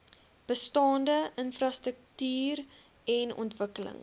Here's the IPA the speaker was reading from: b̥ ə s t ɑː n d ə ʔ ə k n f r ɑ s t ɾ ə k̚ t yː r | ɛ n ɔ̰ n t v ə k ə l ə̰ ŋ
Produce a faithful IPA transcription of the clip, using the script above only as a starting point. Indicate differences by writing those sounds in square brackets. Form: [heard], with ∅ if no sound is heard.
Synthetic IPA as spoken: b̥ ə s t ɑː n d ə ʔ ə [∅] n f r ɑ s t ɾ ə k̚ t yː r | ɛ n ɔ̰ n t v ə k ə l ə̰ ŋ